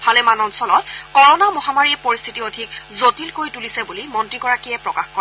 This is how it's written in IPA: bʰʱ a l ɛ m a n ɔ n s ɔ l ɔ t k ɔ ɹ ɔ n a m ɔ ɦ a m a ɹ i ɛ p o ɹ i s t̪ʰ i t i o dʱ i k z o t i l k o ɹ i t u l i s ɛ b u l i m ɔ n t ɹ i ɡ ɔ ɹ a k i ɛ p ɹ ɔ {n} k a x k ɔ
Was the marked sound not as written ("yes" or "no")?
yes